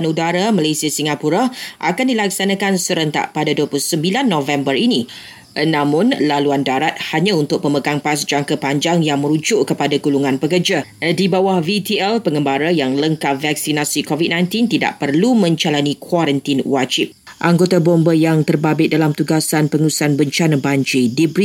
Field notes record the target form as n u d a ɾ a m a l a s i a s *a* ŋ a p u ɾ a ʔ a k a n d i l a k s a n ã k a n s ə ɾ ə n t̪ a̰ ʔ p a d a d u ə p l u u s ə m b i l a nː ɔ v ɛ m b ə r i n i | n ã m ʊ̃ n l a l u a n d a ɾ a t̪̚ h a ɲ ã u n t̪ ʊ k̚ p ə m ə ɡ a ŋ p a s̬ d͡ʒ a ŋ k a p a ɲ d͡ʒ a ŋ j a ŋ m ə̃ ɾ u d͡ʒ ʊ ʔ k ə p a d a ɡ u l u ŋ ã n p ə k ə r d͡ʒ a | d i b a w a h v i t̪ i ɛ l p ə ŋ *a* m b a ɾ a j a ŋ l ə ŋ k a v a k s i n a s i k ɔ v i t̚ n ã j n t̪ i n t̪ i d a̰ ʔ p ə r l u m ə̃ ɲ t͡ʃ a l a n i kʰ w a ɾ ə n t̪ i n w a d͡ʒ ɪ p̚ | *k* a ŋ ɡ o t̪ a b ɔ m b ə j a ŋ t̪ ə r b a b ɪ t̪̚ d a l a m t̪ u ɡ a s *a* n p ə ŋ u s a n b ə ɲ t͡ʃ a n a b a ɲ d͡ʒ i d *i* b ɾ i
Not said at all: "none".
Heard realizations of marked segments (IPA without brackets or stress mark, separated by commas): i, ə, ʔ, a, i